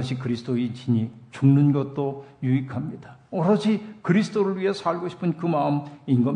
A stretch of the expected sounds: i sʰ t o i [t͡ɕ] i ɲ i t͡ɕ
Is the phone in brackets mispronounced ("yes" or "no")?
no